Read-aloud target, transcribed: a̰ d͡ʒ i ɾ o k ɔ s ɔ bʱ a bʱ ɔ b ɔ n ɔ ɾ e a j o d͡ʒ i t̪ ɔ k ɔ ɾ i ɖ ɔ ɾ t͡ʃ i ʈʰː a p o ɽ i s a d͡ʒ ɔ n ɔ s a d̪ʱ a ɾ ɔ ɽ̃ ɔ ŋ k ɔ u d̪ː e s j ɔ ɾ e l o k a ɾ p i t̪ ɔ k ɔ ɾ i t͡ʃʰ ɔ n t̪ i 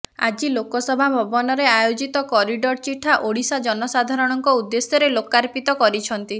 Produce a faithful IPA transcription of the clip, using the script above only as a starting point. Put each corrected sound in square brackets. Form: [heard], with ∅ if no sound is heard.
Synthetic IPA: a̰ d͡ʒ i [l] o k ɔ s ɔ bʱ a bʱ ɔ b ɔ n ɔ ɾ e a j o d͡ʒ i t̪ ɔ k ɔ ɾ i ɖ ɔ ɾ t͡ʃ i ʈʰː a [ʔ] o ɽ i s a d͡ʒ ɔ n ɔ s a d̪ʱ a ɾ ɔ ɽ̃ ɔ ŋ k ɔ u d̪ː e s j ɔ ɾ e l o k a ɾ p i t̪ ɔ k ɔ ɾ i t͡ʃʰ ɔ n t̪ i